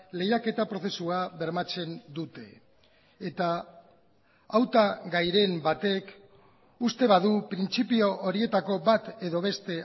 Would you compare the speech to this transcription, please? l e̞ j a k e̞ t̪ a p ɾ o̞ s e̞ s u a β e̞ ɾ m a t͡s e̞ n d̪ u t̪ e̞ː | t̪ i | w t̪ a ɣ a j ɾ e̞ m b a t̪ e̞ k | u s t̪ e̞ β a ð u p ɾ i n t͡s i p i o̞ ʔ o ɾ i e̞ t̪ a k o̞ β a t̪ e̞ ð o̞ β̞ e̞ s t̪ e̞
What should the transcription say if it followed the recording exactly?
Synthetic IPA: l e̞ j a k e̞ t̪ a p ɾ o̞ θ e̞ s u a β e̞ ɾ m a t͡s e̞ n d̪ u t̪ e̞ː | t̪ a | w t̪ a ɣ a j ɾ e̞ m b a t̪ e̞ k | u s t̪ e̞ β a ð u p ɾ i n t͡s i p i o̞ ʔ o ɾ i e̞ t̪ a k o̞ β a t̪ e̞ ð o̞ β̞ e̞ s t̪ e̞